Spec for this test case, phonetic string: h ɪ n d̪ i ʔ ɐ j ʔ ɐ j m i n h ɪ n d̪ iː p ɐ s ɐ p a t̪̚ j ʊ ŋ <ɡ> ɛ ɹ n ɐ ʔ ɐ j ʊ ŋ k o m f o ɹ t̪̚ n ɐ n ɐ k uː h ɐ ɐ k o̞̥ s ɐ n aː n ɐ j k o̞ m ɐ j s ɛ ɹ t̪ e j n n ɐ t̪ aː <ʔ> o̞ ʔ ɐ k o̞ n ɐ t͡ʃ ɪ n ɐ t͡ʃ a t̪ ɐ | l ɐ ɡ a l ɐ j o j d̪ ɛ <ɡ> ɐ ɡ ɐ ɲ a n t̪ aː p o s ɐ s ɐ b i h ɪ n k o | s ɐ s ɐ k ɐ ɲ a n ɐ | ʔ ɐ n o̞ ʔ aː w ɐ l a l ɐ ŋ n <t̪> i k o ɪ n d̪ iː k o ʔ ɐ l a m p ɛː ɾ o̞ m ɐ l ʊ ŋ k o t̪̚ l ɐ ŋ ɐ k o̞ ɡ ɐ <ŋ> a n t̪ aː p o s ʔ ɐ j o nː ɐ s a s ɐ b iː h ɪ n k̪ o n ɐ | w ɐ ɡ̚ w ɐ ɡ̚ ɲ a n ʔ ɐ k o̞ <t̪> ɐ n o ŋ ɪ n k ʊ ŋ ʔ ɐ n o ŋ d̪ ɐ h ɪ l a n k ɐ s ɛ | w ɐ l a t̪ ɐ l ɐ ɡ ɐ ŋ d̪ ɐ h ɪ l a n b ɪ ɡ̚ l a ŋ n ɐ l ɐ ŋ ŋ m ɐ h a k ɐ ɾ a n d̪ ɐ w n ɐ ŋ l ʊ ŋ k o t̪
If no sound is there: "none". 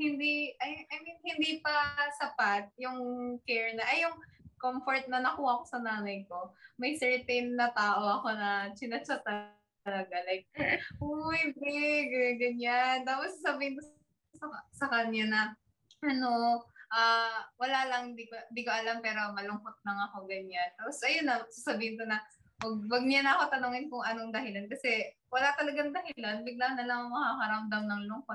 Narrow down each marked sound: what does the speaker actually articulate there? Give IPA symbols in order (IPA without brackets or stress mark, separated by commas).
k, ʔ, ɡ, d̪, ɲ, t̪